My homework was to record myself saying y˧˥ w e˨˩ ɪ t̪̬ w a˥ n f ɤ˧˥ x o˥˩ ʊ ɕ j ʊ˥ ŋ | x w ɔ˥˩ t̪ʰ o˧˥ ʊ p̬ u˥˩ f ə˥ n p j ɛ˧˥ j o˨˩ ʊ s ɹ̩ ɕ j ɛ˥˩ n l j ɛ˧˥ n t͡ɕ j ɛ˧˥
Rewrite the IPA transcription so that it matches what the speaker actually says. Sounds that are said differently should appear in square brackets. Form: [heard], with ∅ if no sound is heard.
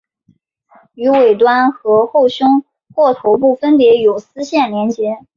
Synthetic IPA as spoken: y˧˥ w e˨˩ ɪ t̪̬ w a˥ n [x] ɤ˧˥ x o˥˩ ʊ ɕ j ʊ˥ ŋ | x w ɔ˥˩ t̪ʰ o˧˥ ʊ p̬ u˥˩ f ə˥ n p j ɛ˧˥ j o˨˩ ʊ s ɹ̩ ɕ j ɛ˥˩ n l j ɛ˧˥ n t͡ɕ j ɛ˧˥